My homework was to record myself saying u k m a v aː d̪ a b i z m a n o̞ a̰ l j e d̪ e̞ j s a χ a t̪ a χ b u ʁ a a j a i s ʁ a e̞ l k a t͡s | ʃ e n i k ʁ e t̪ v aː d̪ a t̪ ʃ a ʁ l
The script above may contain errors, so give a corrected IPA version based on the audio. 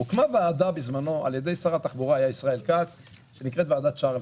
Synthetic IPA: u k m a v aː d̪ a b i z m a n o̞ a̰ l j e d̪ e̞ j s a ʁ a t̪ a χ b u ʁ a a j a i s ʁ a e̞ l k a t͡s | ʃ e n i k ʁ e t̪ v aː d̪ a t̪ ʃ a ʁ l

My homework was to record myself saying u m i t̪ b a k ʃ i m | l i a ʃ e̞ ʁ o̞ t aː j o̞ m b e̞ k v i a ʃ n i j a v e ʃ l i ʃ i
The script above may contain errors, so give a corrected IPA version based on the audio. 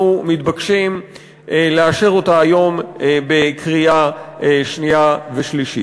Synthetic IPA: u m i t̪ b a k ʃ i m | l e a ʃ e̞ ʁ o̞ t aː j o̞ m b e̞ k ʁ i a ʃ n i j a v e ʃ l i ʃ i

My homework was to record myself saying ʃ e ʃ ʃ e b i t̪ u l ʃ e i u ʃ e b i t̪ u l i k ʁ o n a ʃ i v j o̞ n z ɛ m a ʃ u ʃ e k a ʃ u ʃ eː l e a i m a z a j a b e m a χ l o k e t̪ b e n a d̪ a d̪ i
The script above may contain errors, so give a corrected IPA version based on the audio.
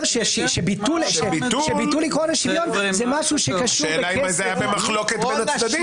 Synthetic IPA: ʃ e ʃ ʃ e b i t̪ u l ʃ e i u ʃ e b i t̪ u l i k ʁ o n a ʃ i v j o̞ n z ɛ m a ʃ u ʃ e k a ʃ u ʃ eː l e a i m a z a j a b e m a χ l o k e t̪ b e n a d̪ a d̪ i

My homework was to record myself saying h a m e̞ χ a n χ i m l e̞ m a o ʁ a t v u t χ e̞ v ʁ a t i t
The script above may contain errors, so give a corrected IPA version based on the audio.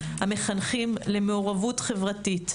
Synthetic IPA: h a m e̞ χ a n χ i m l e̞ m e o ʁ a v u t χ e̞ v ʁ a t i t

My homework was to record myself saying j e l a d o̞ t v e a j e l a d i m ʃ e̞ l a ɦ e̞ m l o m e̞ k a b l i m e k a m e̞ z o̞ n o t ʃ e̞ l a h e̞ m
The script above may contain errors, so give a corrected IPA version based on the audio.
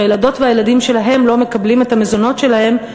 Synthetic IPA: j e l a d o̞ t v e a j e l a d i m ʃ e̞ l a ɦ e̞ m l o m e̞ k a b l i m e t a m e̞ z o̞ n o t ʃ e̞ l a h e̞ m

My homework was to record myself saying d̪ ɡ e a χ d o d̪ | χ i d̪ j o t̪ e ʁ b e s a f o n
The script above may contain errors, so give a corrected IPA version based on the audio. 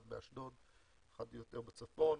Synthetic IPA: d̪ b e a ʃ d o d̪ | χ a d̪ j o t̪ e ʁ b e t͡s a f o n

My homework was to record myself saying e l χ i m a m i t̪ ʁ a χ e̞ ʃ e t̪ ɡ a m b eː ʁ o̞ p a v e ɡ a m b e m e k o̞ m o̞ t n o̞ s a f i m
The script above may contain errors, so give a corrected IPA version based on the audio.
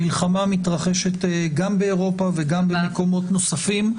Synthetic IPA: i l χ a m a m i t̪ ʁ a χ e̞ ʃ e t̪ ɡ a m b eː ʁ o̞ p a v e ɡ a m b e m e k o̞ m o̞ t n o̞ s a f i m

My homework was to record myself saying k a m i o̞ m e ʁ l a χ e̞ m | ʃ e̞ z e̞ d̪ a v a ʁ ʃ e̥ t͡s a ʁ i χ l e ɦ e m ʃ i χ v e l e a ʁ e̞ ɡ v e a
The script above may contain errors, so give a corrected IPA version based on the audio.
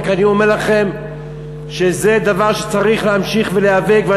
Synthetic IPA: k a n i o̞ m e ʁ l a χ e̞ m | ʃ e̞ z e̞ d̪ a v a ʁ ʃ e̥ t͡s a ʁ i χ l e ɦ a m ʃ i χ v e l e a v e̞ ɡ v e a

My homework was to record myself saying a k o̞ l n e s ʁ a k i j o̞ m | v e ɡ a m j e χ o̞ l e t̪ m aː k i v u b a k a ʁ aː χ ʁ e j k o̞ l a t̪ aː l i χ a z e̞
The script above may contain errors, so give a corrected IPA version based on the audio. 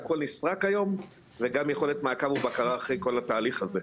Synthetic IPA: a k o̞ l n i s ʁ a k a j o̞ m | v e ɡ a m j e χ o̞ l e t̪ m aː k a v u b a k a ʁ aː χ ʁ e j k o̞ l a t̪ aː l i χ a z e̞

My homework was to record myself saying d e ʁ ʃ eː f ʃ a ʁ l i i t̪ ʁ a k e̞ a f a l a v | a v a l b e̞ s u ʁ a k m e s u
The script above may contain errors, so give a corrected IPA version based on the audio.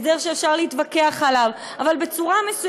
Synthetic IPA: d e ʁ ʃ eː f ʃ a ʁ l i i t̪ v a k e̞ a χ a l a v | a v a l b e̞ t͡s u ʁ a m e s u

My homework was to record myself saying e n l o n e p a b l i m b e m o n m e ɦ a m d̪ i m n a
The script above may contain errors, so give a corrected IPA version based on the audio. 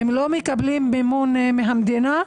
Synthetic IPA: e m l o m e k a b l i m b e m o n m e ɦ a m d̪ i n a

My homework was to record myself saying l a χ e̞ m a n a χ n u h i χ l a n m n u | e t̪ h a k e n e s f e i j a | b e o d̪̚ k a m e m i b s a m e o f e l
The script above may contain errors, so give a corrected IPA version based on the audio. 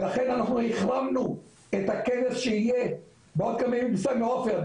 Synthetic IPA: l a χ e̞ n a n a χ n u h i χ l a m n u | e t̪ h a k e n e s ʃ e i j e | b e o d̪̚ k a m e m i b s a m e o f e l

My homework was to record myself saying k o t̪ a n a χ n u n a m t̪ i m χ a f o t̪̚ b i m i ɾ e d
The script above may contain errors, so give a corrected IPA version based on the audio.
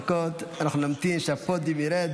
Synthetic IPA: k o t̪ a n a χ n u n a m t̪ i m ʃ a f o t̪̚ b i m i ɾ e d

